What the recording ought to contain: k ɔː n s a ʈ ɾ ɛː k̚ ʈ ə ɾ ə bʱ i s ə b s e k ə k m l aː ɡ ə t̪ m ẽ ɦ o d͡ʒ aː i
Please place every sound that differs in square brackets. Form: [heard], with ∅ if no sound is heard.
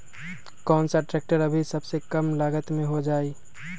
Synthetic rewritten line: k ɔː n s a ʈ ɾ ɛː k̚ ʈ ə ɾ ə bʱ i s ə b s e k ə [∅] m l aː ɡ ə t̪ m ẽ ɦ o d͡ʒ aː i